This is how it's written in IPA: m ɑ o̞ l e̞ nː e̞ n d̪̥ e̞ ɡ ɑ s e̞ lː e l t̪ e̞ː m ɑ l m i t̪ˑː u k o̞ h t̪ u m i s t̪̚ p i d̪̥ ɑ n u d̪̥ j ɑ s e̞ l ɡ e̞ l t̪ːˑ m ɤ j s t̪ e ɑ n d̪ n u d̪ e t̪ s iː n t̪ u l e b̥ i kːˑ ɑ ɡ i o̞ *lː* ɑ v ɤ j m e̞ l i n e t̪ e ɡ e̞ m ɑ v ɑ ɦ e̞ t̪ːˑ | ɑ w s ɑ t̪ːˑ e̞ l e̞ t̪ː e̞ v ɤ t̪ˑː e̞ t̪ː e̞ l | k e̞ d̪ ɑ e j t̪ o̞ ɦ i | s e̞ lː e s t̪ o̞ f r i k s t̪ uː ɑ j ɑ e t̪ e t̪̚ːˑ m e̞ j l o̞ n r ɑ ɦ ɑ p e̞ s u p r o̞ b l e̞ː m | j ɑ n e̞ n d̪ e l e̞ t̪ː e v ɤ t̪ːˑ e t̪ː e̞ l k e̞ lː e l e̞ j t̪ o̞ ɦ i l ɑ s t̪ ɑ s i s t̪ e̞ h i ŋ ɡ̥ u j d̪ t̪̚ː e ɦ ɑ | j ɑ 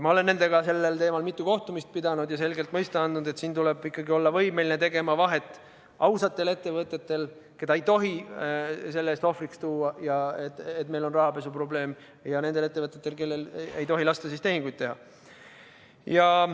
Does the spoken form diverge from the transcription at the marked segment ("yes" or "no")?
no